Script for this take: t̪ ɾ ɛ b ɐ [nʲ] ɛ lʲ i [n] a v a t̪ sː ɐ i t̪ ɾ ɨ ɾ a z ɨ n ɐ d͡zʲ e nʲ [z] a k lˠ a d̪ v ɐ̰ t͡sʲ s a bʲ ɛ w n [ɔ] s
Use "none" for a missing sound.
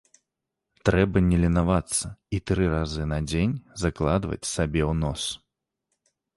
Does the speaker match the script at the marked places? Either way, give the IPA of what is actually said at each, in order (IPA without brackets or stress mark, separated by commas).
nʲ, n, z, ɔ